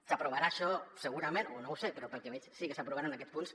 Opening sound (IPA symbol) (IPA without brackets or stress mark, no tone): s